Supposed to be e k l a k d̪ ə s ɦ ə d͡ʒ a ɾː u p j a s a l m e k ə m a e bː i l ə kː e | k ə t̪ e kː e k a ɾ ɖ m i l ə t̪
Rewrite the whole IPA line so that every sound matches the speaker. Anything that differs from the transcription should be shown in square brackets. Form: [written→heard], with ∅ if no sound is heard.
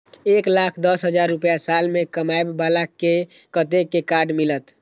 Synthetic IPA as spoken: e k l a [k→kʰ] d̪ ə s ɦ ə d͡ʒ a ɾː u p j a s a l m e k ə m a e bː [i→a] l [ə→a] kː e | k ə t̪ e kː e k a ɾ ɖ m i l ə t̪